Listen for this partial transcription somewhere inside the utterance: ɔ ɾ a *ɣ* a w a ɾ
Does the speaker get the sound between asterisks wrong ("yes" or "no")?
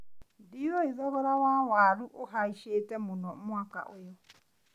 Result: yes